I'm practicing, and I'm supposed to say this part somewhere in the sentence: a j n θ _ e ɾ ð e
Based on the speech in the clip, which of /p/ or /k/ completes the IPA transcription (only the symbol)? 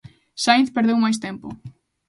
p